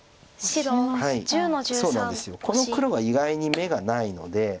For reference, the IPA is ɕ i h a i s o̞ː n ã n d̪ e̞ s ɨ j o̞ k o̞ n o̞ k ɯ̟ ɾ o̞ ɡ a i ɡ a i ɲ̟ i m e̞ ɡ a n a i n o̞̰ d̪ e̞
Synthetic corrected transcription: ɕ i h a i s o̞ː n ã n d̪ e̞ s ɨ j o̞ k o̞ n o̞ k ɯ̟ ɾ o̞ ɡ a i ɡ a i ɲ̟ i m e̞ ɡ a n a i n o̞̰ d̪ e̞

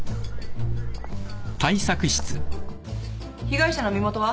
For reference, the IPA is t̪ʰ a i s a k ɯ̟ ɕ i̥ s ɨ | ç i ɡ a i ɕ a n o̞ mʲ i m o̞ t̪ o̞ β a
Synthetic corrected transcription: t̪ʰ a i s a k ɯ̟ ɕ i̥ t͡s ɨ | ç i ɡ a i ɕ a n o̞ mʲ i m o̞ t̪ o̞ β a

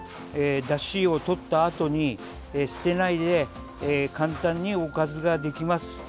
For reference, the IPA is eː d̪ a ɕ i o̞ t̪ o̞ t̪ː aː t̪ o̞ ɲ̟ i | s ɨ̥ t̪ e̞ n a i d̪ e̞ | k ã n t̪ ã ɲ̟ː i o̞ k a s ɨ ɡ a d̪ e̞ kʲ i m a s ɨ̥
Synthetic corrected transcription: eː d̪ a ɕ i o̞ t̪ o̞ t̪ː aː t̪ o̞ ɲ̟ i | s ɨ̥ t̪ e̞ n a i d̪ e̞ | k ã n t̪ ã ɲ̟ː i o̞ k a z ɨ ɡ a d̪ e̞ kʲ i m a s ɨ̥

